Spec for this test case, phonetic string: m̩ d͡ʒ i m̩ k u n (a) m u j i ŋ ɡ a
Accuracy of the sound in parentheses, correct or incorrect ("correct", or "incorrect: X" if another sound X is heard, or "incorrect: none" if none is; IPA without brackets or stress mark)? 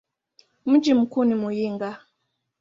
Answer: incorrect: i